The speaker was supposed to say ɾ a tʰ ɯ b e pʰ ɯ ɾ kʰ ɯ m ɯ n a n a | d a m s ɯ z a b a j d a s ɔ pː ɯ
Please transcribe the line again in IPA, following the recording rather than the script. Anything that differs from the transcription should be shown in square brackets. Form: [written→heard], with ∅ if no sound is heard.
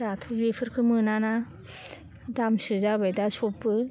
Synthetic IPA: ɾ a tʰ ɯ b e pʰ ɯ ɾ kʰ ɯ m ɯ n a n a | d a m s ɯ z a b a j d a s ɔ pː ɯ